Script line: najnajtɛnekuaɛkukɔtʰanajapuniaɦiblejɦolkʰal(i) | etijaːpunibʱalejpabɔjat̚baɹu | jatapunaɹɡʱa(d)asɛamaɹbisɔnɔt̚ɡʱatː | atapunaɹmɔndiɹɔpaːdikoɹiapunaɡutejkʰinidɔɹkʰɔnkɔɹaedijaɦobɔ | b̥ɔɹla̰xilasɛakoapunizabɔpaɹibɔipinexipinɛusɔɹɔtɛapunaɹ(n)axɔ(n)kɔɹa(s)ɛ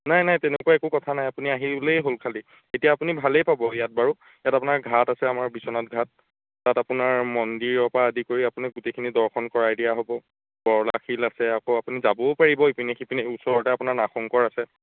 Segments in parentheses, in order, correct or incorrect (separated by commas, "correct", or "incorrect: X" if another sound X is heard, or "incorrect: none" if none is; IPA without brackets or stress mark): correct, incorrect: t, correct, incorrect: ŋ, correct